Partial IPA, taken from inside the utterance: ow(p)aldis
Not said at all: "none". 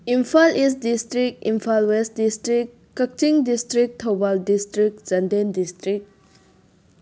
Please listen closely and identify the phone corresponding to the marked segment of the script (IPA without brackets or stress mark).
b